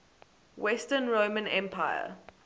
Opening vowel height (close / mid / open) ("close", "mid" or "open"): mid